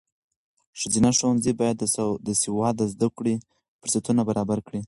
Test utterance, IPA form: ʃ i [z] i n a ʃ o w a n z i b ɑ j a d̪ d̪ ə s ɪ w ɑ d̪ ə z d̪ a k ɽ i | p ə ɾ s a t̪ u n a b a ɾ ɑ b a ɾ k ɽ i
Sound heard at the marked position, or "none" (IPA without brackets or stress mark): z